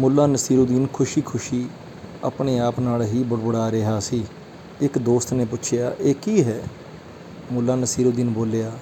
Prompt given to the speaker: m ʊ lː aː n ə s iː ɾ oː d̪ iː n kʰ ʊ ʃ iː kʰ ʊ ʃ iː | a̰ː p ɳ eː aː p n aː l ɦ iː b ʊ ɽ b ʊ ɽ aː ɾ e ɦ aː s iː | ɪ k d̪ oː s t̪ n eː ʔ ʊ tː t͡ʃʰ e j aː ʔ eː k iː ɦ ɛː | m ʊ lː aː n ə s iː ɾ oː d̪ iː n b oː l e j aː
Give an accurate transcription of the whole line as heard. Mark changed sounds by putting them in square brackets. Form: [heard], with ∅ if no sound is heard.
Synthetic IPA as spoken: m ʊ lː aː n ə s iː ɾ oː d̪ iː n kʰ ʊ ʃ iː kʰ ʊ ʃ iː | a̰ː p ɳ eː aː p n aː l ɦ iː b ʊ ɽ b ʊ ɽ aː ɾ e ɦ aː s iː | ɪ k d̪ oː s t̪ n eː [p] ʊ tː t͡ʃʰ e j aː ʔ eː k iː ɦ ɛː | m ʊ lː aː n ə s iː ɾ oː d̪ iː n b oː l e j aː